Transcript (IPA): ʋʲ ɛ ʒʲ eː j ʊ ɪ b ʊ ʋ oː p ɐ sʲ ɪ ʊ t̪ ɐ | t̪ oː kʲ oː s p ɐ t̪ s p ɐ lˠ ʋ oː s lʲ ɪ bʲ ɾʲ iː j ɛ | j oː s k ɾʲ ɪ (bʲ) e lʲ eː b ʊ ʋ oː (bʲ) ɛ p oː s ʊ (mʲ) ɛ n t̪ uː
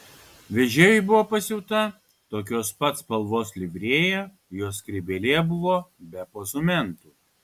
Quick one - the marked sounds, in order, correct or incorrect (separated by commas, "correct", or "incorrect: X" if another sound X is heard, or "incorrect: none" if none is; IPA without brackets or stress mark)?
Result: correct, correct, correct